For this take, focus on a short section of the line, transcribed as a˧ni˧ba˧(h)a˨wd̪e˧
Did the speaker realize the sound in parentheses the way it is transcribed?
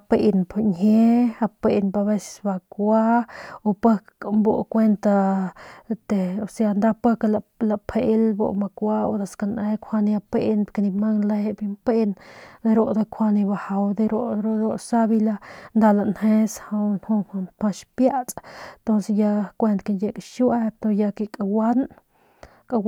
yes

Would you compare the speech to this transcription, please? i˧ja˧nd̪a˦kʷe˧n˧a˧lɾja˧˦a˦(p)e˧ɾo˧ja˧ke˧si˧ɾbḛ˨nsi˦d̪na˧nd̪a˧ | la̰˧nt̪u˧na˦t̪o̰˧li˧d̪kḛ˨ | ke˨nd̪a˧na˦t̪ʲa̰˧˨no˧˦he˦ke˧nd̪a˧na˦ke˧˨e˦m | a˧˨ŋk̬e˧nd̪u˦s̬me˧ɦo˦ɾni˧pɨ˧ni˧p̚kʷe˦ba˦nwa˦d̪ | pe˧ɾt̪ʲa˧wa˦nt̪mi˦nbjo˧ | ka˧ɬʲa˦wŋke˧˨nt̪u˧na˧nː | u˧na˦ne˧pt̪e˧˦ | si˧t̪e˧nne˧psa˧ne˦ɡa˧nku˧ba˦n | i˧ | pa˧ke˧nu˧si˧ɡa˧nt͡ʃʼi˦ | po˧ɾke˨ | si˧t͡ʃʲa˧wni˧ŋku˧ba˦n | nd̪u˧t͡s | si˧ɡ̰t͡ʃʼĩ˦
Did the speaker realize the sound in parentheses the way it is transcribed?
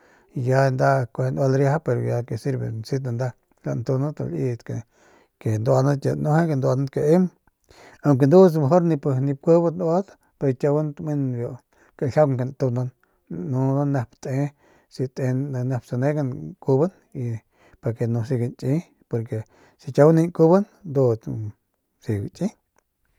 yes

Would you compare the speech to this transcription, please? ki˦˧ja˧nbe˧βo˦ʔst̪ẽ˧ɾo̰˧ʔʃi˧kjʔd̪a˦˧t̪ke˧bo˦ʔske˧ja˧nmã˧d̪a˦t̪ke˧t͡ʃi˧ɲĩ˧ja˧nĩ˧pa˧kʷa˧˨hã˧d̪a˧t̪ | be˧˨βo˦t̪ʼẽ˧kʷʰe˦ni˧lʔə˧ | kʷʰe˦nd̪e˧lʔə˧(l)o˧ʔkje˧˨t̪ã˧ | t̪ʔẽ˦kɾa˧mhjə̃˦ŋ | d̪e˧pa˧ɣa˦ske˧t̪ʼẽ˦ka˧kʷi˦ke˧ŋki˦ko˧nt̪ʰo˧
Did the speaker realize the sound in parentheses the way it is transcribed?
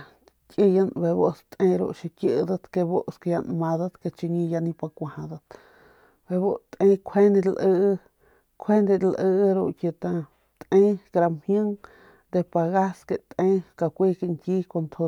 no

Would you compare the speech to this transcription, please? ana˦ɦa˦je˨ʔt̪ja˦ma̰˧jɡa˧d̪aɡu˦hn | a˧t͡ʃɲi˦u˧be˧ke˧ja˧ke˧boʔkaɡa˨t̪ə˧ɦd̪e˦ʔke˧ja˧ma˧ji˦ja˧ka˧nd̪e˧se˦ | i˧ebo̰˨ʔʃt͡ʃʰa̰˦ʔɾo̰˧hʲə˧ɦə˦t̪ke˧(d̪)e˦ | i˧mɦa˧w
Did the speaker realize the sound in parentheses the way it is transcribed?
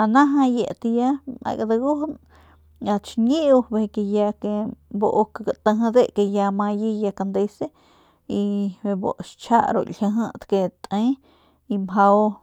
no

